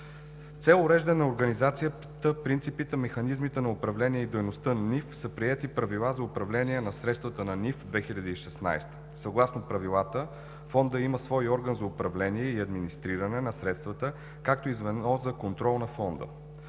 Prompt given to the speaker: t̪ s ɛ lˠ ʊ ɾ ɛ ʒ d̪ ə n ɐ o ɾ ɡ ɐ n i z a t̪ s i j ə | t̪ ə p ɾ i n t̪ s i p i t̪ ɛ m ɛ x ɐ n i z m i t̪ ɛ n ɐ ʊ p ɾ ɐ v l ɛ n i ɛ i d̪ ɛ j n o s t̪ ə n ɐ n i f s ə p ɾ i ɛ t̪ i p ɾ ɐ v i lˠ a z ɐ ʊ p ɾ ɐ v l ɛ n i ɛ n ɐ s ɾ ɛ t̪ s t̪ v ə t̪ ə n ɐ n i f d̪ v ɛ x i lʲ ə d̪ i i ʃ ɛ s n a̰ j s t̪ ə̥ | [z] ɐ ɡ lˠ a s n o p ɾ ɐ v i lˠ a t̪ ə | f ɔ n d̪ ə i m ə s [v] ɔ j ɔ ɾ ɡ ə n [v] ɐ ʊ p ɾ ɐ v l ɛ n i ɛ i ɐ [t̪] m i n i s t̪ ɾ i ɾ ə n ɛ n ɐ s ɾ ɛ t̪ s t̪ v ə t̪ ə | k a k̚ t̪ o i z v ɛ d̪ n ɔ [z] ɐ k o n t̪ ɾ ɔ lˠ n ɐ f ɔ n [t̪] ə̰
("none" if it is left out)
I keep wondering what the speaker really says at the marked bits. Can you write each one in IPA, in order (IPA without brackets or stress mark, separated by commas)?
s, v, z, d̪, z, d̪